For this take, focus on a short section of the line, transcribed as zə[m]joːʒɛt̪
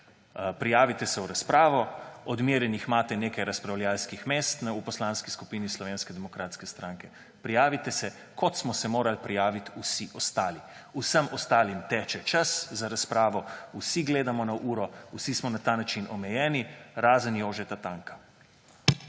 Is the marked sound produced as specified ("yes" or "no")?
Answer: no